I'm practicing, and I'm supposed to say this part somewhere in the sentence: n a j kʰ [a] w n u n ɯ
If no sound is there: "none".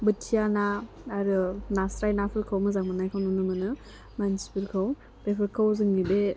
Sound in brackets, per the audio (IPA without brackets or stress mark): a